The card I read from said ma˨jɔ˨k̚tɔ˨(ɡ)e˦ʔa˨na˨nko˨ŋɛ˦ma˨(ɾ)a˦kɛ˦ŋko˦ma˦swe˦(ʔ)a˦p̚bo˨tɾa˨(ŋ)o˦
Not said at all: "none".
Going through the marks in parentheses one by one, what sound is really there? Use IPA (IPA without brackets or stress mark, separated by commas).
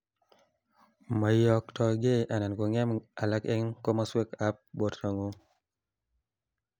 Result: ɡ, l, k, ŋ